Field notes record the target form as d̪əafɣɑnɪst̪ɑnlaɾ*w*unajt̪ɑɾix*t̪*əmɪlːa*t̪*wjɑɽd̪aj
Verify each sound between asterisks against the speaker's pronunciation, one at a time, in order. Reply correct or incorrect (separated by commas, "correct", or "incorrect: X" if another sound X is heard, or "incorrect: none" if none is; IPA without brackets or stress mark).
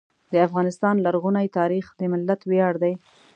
incorrect: ɣ, incorrect: d̪, correct